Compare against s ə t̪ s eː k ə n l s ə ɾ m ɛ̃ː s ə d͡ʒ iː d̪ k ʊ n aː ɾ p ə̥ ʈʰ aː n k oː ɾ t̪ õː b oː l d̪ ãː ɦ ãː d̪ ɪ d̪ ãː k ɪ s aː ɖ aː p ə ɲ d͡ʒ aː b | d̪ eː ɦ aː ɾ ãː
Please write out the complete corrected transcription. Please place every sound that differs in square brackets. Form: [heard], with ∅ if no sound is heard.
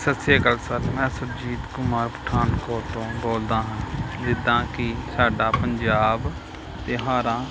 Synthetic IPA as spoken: s ə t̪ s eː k ə [∅] l s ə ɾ m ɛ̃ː s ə d͡ʒ iː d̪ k ʊ [m] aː ɾ p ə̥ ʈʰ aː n k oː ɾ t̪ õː b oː l d̪ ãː ɦ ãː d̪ ɪ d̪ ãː k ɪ s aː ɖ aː p ə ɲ d͡ʒ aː b | [t̪] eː ɦ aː ɾ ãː